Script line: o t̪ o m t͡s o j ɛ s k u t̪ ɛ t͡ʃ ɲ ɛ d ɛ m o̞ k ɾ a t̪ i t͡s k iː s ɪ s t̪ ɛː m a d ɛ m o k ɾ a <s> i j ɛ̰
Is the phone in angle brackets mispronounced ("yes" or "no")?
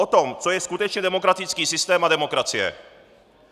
yes